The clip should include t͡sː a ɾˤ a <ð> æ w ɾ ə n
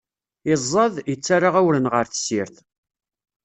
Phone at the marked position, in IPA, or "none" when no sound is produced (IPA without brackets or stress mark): ʁ